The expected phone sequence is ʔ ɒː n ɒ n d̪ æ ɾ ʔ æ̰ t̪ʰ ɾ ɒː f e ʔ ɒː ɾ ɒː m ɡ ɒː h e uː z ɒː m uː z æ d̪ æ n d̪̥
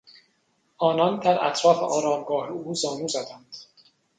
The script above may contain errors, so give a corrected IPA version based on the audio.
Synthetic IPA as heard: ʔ ɒː n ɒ n d̪ æ ɾ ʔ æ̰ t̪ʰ ɾ ɒː f e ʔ ɒː ɾ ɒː m ɡ ɒː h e uː z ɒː n uː z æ d̪ æ n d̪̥